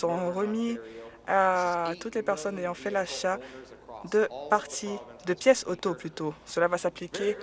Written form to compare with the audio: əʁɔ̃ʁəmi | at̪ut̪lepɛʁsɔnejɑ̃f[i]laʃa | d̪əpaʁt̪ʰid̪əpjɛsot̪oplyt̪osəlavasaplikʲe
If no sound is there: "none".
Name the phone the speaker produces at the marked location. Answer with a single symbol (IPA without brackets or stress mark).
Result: ɛ